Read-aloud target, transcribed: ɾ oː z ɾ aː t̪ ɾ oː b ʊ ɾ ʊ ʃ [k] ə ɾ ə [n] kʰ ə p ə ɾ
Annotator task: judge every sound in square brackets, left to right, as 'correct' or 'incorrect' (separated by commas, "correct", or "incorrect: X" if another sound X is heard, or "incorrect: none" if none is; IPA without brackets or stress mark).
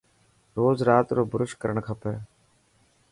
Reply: correct, incorrect: ɳ